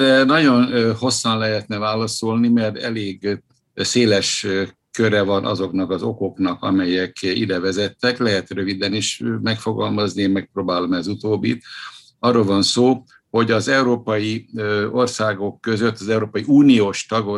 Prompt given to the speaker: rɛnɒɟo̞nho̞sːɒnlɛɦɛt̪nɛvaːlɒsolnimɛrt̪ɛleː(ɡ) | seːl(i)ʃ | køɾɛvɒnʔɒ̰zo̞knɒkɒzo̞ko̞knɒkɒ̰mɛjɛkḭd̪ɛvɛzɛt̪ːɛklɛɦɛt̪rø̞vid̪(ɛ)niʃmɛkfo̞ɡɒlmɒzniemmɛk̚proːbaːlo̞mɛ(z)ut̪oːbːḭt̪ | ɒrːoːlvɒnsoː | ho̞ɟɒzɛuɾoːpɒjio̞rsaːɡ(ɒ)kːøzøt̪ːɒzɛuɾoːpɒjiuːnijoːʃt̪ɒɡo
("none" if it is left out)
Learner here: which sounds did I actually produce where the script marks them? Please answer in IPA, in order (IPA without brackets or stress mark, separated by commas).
ɡ, ɛ, ɛ, z, o